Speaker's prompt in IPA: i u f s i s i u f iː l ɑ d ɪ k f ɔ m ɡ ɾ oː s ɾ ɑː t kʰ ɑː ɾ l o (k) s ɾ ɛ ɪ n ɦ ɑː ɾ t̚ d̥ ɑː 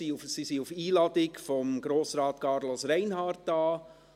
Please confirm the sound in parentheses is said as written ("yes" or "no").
no